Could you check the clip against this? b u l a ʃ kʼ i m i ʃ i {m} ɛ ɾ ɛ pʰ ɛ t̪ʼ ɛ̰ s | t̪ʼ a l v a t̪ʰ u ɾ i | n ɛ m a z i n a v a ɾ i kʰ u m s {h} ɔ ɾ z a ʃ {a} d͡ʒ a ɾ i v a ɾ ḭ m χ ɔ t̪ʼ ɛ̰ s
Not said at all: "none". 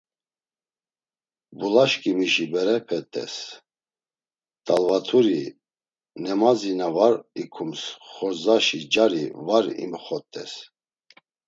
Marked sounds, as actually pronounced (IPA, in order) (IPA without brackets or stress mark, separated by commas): b, χ, i